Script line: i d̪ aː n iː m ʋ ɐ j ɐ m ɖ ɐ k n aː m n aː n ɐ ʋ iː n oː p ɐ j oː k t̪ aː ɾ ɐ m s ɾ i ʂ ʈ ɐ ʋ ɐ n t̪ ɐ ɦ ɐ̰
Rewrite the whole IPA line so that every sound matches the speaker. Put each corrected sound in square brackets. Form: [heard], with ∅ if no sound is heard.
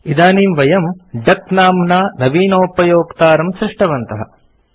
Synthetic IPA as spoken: i d̪ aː n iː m ʋ ɐ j ɐ m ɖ ɐ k n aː m n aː n ɐ ʋ iː n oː p ɐ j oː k t̪ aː ɾ ɐ m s ɾ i ʂ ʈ ɐ ʋ ɐ n t̪ ɐ ɦ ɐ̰